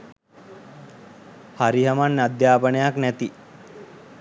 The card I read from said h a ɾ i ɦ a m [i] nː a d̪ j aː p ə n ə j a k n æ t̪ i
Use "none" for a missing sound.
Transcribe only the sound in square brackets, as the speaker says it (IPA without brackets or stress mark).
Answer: a